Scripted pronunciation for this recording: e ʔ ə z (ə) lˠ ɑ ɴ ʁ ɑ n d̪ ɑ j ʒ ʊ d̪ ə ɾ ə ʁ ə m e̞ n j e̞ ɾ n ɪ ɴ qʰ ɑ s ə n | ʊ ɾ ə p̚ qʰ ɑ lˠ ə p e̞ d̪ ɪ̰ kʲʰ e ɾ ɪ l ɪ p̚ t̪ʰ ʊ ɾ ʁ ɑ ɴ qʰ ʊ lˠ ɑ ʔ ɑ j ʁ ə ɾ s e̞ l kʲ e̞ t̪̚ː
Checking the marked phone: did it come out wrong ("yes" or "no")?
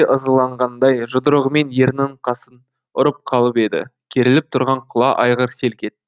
no